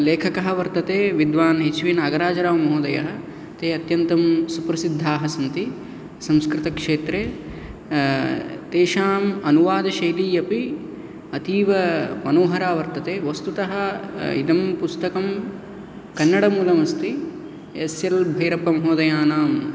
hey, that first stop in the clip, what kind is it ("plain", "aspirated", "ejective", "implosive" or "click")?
aspirated